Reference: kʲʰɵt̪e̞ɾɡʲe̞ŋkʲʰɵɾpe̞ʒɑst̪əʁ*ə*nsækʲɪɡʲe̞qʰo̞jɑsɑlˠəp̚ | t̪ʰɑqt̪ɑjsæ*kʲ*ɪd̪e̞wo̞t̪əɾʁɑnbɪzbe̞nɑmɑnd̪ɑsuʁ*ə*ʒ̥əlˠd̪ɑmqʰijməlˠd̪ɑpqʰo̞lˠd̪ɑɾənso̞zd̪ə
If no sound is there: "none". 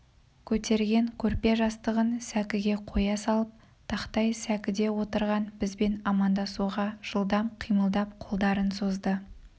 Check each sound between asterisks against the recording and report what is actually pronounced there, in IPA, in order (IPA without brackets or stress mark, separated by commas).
ə, kʲ, ɑ